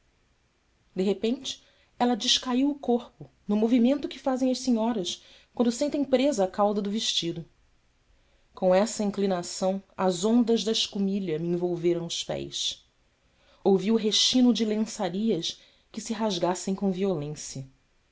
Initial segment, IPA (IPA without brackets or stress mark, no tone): d̪